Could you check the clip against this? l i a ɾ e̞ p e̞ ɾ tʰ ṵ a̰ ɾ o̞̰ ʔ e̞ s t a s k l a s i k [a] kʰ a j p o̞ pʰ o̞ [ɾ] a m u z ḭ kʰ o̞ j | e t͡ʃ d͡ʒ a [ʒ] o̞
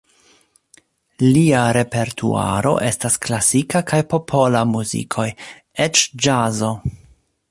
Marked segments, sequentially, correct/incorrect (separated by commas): correct, incorrect, incorrect